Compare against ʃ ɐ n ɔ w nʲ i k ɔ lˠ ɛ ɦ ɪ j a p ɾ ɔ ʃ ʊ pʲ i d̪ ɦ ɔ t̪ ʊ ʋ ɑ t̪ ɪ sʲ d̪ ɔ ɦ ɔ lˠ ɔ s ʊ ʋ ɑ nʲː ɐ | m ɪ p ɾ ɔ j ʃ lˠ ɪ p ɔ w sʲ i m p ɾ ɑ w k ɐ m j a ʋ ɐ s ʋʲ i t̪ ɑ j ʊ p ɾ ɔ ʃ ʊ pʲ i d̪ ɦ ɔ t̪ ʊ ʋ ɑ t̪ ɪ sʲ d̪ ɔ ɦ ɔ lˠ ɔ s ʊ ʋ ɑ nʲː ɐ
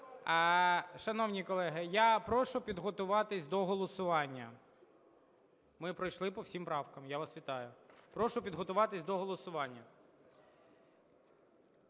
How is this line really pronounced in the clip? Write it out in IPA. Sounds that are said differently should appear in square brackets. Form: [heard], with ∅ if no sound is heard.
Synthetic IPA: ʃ ɐ n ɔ w nʲ i k ɔ lˠ ɛ ɦ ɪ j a p ɾ ɔ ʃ ʊ pʲ i d̪ ɦ ɔ t̪ ʊ ʋ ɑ t̪ ɪ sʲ d̪ ɔ ɦ ɔ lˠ ɔ s ʊ ʋ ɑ nʲː ɐ | m ɪ p ɾ ɔ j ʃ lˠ ɪ p ɔ w sʲ i m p ɾ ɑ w k ɐ m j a ʋ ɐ s ʋʲ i t̪ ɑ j ʊ p ɾ ɔ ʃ ʊ pʲ i d̪ ɦ ɔ t̪ ʊ ʋ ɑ t̪ ɪ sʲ d̪ ɔ ɦ ɔ lˠ ɔ s ʊ ʋ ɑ nʲː ɐ